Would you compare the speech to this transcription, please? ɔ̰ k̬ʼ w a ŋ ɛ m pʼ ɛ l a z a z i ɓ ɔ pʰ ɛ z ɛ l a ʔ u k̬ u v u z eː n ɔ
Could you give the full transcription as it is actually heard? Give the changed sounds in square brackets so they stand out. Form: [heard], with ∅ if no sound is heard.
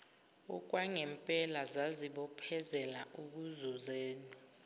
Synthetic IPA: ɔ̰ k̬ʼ w a ŋ ɛ m pʼ ɛ l a z a z i ɓ ɔ pʰ ɛ z ɛ l a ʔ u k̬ u [z] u z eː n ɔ